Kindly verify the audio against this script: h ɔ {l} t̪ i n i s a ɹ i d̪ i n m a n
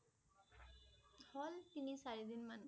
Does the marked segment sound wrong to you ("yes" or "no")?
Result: no